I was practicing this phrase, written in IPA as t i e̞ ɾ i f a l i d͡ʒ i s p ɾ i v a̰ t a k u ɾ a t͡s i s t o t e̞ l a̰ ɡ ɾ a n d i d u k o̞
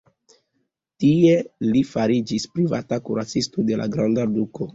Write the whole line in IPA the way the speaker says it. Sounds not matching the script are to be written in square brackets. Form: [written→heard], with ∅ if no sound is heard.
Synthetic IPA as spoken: t i e̞ [ɾ→l] i f a [l→ɾ] i d͡ʒ i s p ɾ i v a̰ t a k u ɾ a t͡s i s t o [t→d] e̞ l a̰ ɡ ɾ a n d [i→a] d u k o̞